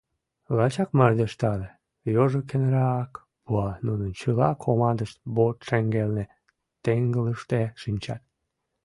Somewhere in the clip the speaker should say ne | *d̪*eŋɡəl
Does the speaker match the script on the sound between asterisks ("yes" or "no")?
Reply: no